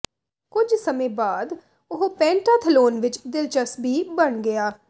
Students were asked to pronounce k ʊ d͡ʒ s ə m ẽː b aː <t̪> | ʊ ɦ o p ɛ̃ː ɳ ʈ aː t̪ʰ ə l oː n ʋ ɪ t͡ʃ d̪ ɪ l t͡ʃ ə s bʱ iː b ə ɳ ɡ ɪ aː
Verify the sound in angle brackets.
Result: incorrect: d̪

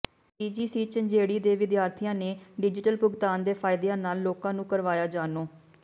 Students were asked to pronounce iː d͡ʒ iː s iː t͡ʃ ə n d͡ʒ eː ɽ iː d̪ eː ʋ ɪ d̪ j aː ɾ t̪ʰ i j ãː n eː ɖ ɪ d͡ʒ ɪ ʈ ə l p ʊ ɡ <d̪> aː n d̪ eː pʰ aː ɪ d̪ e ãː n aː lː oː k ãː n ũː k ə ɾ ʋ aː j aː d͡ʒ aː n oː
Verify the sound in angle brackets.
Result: incorrect: t̪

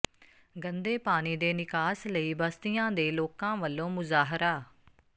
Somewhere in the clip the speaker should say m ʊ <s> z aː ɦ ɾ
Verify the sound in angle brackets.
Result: incorrect: none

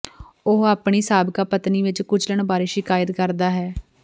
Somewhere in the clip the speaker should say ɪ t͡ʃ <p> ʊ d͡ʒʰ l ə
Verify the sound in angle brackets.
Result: incorrect: k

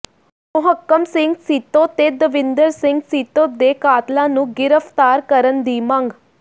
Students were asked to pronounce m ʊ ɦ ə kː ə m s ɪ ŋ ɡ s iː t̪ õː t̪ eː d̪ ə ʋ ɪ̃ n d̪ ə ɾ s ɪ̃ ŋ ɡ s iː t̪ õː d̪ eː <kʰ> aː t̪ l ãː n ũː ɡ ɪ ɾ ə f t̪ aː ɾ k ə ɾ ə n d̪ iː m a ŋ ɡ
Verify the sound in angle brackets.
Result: incorrect: k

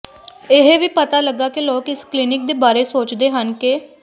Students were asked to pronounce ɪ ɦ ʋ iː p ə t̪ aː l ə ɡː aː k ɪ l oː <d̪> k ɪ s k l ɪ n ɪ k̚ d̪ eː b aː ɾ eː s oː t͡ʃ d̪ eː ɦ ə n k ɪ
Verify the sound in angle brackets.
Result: incorrect: none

